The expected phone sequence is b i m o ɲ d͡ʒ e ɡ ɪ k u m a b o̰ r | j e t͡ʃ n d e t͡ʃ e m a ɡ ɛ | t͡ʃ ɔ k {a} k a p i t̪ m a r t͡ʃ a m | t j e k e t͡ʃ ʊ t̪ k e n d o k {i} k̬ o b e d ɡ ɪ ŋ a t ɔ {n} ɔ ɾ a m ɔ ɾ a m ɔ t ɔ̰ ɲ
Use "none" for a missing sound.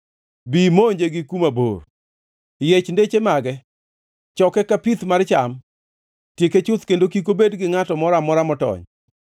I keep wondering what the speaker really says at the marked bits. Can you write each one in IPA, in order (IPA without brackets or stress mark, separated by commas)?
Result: ɛ, i, m